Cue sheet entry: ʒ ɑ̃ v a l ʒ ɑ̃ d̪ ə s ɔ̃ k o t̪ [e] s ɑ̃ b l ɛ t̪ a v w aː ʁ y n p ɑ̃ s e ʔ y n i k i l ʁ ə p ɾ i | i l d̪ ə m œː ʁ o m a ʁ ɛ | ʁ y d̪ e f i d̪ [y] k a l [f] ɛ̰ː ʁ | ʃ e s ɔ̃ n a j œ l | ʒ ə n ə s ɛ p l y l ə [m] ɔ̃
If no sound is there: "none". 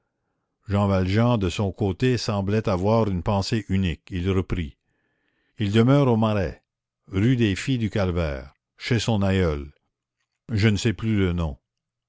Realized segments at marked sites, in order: e, y, v, n

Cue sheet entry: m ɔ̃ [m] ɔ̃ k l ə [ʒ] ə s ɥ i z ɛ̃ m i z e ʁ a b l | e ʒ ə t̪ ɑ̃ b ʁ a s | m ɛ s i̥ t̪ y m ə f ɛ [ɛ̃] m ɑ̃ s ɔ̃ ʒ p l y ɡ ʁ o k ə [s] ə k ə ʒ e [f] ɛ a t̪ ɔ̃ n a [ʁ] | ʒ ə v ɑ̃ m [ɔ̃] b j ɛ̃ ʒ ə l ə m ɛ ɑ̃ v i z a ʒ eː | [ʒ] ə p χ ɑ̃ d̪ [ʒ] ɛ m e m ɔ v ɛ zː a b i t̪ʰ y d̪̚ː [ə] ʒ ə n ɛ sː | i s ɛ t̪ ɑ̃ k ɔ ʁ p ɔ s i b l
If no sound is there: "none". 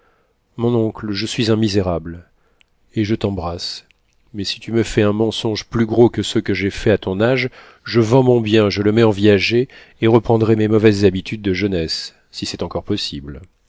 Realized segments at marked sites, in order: n, ʒ, ɛ̃, s, f, ʒ, ɔ̃, ʁ, ʁ, ə

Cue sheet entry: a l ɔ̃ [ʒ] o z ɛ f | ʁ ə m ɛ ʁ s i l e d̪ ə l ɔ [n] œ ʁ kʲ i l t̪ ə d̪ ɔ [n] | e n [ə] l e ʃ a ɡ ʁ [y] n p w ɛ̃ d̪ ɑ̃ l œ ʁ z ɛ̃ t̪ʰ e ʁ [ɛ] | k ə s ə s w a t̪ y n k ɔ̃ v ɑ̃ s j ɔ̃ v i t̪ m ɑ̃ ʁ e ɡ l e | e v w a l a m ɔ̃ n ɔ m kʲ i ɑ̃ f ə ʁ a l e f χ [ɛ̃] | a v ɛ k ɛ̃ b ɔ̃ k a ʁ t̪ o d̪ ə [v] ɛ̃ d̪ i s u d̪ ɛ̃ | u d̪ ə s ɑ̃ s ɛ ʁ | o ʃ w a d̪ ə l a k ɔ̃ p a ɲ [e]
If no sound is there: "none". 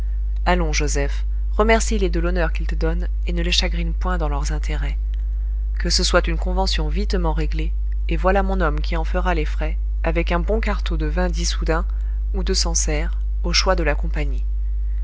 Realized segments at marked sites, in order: ʒ, n, n, ə, i, ɛ, ɛ, v, i

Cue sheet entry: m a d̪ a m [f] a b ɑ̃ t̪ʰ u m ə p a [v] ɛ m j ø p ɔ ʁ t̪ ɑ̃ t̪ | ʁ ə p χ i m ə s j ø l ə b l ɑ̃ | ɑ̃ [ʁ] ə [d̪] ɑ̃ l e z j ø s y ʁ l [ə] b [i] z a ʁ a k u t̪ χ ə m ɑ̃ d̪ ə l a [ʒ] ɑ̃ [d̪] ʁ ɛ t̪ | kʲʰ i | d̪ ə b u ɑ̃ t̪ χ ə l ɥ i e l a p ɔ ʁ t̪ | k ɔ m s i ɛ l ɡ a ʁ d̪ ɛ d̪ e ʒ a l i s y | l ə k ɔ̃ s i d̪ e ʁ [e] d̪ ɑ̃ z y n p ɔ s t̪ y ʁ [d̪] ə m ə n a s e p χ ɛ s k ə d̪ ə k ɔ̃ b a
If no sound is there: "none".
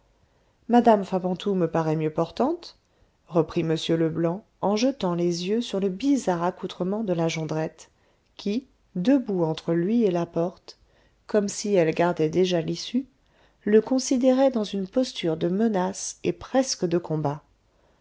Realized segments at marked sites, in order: f, ʁ, ʒ, t̪, ə, i, ʒ, d̪, ɛ, d̪

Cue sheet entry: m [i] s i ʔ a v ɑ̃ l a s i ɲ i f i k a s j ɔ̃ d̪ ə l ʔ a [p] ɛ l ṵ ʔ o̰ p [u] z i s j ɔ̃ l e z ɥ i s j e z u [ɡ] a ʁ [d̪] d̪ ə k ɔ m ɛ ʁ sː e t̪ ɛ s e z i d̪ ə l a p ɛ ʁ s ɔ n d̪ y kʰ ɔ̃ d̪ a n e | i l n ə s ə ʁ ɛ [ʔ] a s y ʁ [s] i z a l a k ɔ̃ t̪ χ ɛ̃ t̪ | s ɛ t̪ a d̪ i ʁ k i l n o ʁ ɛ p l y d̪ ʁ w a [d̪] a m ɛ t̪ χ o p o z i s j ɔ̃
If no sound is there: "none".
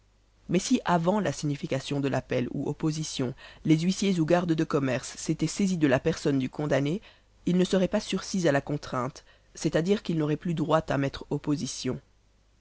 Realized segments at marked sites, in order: ɛ, p, o, ɡ, d̪, p, s, t̪

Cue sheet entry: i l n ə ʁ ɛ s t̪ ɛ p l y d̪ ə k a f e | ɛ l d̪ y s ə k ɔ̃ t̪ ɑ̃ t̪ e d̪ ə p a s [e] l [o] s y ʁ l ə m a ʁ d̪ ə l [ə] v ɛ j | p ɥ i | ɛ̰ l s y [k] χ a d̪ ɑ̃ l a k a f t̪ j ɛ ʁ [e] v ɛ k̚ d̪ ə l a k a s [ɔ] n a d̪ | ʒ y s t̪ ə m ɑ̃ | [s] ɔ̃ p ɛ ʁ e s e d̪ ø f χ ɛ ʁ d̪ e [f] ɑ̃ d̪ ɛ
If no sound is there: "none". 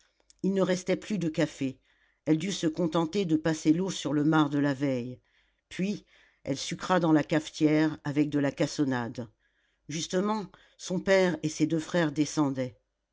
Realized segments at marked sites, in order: e, o, a, k, a, ɔ, s, s

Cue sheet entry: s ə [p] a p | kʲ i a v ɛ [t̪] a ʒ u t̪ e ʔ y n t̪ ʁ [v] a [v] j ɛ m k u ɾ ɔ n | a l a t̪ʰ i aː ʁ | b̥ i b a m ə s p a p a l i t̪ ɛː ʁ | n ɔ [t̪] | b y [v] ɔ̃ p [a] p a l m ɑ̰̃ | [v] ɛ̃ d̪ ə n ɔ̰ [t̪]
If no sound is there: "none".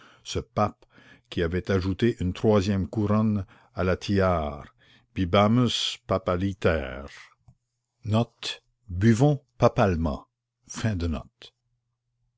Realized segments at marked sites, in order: p, t̪, w, z, t̪, v, a, f, t̪

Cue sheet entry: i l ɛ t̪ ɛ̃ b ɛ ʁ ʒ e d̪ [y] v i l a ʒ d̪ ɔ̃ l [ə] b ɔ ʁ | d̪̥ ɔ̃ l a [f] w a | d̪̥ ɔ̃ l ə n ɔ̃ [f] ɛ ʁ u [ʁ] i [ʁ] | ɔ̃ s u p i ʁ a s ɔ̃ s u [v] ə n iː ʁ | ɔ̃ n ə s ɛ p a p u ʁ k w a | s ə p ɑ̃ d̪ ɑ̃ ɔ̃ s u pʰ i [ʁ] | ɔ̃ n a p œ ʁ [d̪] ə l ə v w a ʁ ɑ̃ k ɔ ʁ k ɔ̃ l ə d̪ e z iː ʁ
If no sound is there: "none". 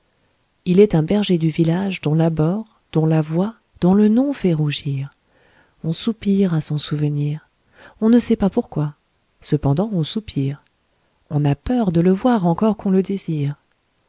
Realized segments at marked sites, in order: y, a, v, f, ʒ, ʁ, v, ʁ, d̪

